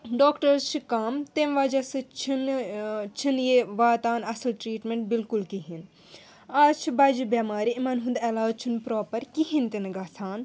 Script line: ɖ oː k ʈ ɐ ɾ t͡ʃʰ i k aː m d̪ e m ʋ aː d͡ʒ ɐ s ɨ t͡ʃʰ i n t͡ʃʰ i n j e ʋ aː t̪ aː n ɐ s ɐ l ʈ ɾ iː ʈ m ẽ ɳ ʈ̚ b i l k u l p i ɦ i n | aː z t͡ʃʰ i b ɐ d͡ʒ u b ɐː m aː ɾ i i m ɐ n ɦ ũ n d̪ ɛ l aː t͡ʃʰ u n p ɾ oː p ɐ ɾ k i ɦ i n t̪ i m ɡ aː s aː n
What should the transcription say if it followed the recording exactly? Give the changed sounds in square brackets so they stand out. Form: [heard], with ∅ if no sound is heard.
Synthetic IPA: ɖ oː k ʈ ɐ ɾ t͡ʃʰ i k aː m [t̪] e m ʋ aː d͡ʒ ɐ s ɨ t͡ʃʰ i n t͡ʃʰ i n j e ʋ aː t̪ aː n ɐ s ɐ l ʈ ɾ iː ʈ m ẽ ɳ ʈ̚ b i l k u l [k] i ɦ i n | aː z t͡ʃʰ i b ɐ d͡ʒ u b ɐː m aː ɾ i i m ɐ n ɦ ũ n d̪ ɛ l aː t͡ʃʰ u n p ɾ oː p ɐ ɾ k i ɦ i n t̪ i [n] ɡ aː s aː n